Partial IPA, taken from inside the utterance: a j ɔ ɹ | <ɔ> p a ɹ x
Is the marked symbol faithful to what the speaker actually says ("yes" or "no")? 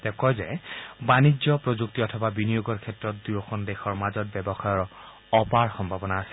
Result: yes